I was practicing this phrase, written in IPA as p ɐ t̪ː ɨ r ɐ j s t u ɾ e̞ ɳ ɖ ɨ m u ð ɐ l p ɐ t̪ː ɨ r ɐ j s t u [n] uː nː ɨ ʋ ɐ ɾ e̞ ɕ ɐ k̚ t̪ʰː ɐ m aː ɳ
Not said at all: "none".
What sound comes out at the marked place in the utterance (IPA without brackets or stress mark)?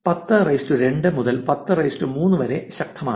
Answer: m